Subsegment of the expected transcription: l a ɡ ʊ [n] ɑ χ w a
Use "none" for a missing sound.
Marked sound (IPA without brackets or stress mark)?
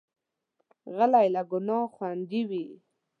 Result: n